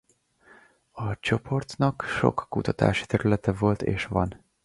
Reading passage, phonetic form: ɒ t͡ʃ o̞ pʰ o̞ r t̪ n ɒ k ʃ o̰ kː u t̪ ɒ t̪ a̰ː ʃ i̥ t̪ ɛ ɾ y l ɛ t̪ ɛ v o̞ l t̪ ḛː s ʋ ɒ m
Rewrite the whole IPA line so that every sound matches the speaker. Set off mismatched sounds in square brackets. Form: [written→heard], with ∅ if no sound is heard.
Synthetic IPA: ɒ t͡ʃ o̞ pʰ o̞ r t̪ n ɒ k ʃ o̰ kː u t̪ ɒ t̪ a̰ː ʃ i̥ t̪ ɛ ɾ y l ɛ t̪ ɛ v o̞ l t̪ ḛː [s→ʃ] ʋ ɒ [m→n]